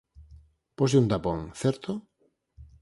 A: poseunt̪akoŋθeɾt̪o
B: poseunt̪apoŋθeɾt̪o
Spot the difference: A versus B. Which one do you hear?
B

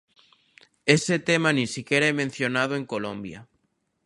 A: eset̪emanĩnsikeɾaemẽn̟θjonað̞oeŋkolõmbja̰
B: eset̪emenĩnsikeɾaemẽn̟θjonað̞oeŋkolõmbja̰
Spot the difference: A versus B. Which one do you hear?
A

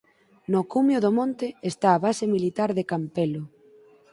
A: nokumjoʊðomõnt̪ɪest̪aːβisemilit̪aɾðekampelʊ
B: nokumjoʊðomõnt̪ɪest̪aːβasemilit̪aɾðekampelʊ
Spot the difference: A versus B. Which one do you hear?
B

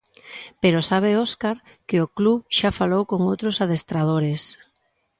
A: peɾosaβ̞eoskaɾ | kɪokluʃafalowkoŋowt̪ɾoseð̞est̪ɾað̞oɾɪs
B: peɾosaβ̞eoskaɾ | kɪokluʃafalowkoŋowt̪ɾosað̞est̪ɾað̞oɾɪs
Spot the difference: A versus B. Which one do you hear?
B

